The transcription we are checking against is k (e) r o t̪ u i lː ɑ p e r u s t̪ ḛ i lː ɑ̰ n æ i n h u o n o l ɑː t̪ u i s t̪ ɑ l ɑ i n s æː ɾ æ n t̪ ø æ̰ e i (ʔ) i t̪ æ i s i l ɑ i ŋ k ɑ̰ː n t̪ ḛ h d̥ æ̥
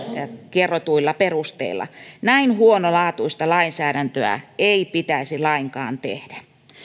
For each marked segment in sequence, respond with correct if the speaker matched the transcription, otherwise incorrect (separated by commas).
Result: correct, incorrect